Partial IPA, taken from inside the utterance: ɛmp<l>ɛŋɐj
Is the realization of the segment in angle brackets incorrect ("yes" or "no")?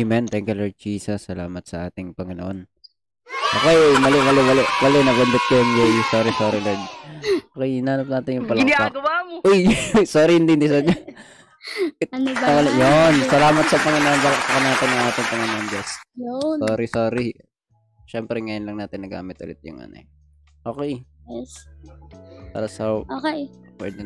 yes